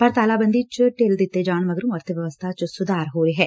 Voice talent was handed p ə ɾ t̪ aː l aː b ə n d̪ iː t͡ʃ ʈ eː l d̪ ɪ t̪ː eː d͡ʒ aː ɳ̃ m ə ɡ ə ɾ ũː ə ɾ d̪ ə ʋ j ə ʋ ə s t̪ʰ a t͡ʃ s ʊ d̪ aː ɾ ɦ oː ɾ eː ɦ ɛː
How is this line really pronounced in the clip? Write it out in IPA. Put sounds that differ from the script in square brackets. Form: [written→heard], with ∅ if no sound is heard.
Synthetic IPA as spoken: p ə ɾ t̪ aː l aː b ə n d̪ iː t͡ʃ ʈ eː l d̪ ɪ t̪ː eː d͡ʒ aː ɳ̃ m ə ɡ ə ɾ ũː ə ɾ [d̪→t̪] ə ʋ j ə ʋ ə s t̪ʰ a t͡ʃ s ʊ d̪ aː ɾ ɦ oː ɾ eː ɦ ɛː